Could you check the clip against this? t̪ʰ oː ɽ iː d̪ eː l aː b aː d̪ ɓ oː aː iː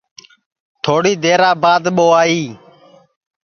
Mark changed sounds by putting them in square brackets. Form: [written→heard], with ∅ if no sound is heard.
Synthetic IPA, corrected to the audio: t̪ʰ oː ɽ iː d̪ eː [l→ɾ] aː b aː d̪ ɓ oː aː iː